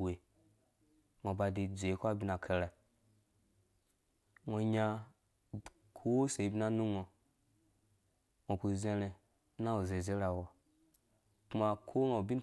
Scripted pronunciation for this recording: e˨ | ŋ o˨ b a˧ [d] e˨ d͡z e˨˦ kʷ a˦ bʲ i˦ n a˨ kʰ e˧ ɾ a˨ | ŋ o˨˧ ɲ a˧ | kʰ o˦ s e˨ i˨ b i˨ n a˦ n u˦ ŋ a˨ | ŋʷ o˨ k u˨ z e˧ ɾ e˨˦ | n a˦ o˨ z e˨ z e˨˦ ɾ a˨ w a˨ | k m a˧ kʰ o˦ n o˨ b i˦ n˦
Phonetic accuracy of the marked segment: correct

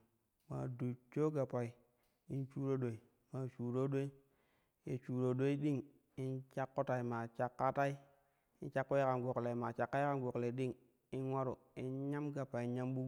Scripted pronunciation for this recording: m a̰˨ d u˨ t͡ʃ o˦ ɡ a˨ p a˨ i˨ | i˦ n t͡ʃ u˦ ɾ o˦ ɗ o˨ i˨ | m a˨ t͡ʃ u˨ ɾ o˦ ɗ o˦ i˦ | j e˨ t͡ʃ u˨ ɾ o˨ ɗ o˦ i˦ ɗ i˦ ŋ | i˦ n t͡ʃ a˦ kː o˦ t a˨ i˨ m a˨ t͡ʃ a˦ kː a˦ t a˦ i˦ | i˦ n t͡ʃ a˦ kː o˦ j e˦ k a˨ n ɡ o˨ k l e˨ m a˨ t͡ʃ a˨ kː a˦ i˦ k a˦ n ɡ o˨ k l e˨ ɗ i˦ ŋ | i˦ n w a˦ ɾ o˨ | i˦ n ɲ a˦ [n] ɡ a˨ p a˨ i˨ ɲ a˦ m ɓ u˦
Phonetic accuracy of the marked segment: incorrect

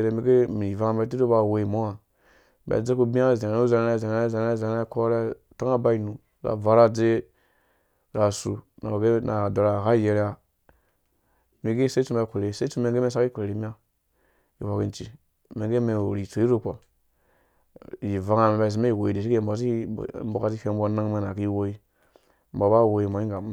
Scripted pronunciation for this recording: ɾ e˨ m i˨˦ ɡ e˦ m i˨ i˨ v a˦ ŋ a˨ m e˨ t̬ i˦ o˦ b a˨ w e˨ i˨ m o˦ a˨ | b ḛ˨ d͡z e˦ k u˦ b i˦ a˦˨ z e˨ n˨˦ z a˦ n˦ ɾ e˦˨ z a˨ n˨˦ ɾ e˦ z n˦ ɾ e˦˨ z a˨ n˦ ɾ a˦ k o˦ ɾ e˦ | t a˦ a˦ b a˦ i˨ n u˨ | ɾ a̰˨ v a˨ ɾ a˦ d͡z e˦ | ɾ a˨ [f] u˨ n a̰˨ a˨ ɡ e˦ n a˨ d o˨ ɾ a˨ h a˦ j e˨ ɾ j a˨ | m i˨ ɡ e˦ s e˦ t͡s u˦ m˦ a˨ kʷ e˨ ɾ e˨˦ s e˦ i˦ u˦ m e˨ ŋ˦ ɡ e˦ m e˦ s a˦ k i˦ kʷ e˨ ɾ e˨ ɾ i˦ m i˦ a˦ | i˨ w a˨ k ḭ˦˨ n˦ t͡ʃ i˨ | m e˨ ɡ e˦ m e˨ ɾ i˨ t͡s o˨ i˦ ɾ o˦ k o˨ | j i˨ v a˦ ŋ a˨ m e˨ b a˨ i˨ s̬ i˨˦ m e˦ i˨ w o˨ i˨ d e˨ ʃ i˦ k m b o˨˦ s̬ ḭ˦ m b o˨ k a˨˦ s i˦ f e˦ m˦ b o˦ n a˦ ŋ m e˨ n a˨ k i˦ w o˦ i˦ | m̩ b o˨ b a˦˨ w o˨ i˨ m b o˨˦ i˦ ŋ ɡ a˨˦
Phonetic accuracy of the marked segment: incorrect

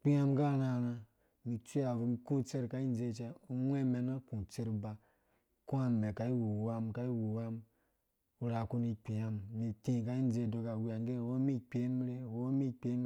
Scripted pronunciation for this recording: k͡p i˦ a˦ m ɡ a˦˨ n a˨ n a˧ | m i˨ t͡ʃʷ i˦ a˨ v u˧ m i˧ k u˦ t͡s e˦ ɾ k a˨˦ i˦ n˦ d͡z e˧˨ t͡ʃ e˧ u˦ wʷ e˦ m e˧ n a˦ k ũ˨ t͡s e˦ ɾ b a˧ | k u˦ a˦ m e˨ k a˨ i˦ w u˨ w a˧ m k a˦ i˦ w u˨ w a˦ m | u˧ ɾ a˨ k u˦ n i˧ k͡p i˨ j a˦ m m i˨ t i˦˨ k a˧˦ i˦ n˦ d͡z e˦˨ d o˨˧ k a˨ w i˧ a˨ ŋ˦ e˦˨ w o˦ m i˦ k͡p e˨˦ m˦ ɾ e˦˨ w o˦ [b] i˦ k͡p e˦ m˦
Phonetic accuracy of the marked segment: incorrect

